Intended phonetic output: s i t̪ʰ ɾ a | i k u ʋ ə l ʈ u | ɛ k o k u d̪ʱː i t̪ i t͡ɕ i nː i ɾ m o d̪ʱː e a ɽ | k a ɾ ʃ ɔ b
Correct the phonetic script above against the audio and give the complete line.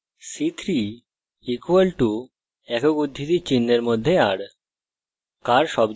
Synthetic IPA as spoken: s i t̪ʰ ɾ i | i k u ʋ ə l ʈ u | ɛ k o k u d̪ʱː i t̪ i t͡ɕ i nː e ɾ m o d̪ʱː e a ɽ | k a ɾ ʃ ɔ b